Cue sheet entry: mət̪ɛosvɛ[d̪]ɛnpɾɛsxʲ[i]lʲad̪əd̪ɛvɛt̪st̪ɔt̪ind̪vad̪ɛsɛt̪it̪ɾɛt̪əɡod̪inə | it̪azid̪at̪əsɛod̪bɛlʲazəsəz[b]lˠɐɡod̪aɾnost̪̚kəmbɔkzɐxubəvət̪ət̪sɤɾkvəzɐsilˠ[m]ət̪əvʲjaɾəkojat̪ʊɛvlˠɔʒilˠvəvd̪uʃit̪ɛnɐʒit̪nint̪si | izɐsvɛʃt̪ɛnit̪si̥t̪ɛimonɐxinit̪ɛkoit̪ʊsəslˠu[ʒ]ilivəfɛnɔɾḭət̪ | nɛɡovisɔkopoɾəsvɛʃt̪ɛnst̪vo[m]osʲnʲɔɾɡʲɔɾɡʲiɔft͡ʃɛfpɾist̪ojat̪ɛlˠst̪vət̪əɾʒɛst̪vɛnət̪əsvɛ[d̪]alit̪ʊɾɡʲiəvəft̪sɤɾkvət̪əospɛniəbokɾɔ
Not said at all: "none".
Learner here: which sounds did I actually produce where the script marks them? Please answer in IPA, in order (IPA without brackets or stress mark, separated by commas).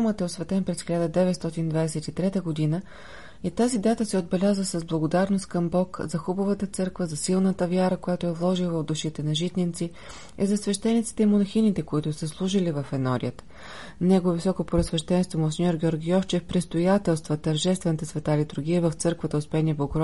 t̪, i, b, n, ʒ, m, t̪